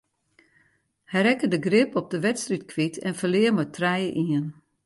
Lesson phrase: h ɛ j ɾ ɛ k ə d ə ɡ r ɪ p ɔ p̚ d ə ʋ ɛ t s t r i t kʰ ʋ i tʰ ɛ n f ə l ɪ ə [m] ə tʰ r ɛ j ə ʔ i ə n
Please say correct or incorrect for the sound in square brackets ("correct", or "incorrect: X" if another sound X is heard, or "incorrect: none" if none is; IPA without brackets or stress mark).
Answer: correct